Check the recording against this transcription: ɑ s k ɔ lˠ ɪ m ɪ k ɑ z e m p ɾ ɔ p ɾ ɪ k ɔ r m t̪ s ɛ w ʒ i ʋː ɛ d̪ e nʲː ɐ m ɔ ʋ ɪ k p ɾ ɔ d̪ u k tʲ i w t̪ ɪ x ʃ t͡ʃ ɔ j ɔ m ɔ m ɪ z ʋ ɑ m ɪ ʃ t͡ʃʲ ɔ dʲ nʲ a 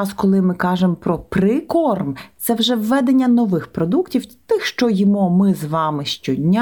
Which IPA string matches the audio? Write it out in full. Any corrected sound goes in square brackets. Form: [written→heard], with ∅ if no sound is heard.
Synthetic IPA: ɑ s k ɔ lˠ ɪ m ɪ k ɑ [z→ʒ] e m p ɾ ɔ p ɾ ɪ k ɔ r m t̪ s ɛ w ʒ [i→ɛ] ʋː ɛ d̪ e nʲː ɐ [m→n] ɔ ʋ ɪ [k→x] p ɾ ɔ d̪ u k tʲ i w t̪ ɪ x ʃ t͡ʃ ɔ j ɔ m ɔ m ɪ z ʋ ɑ m ɪ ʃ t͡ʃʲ ɔ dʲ nʲ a